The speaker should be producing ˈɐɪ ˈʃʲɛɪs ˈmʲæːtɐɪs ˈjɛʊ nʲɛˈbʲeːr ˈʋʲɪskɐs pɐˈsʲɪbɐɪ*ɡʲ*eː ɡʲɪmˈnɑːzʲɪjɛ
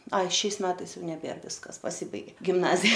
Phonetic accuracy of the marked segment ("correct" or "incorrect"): correct